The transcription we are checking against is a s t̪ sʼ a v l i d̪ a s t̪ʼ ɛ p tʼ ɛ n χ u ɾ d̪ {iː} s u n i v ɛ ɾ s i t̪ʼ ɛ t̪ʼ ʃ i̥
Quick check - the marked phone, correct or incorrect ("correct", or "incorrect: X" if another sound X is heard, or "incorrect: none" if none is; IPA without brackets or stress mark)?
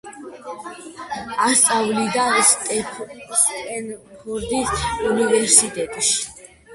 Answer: incorrect: i